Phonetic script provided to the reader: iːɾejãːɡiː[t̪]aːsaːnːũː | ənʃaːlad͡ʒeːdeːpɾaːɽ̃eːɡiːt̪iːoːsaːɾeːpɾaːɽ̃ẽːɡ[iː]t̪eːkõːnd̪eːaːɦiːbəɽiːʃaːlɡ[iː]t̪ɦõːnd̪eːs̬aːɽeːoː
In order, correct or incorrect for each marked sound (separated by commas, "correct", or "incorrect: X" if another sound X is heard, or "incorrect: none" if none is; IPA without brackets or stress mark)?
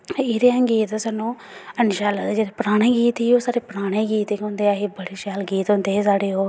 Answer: correct, correct, correct